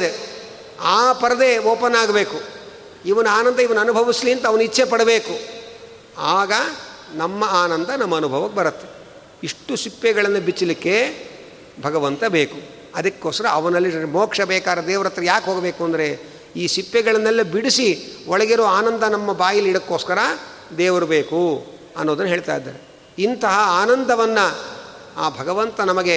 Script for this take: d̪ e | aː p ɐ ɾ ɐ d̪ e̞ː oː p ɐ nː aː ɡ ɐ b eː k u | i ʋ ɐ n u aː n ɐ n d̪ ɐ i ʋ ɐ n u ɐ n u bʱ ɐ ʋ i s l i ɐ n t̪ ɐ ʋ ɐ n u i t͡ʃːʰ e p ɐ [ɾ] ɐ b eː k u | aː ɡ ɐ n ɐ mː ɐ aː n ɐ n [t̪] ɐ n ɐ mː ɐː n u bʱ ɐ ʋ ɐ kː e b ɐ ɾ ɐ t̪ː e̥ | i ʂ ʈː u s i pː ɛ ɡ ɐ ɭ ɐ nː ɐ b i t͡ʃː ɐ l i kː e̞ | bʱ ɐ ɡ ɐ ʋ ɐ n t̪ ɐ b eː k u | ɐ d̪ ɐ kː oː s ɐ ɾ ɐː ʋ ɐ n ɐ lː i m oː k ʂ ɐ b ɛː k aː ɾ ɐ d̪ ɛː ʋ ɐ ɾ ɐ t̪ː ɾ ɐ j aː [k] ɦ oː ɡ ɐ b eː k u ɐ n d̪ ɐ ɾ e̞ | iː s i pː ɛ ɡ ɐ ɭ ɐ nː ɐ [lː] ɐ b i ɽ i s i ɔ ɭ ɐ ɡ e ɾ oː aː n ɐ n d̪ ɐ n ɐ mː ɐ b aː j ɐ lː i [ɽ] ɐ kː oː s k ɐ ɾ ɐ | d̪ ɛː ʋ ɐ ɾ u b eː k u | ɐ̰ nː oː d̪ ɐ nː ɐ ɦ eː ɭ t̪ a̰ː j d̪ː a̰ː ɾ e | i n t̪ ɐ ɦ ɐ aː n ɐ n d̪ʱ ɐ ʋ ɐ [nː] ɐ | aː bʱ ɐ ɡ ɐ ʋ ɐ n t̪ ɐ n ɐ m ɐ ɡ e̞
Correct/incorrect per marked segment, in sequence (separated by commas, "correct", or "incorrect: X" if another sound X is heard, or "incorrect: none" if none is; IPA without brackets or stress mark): incorrect: ɽ, incorrect: d̪, correct, correct, correct, correct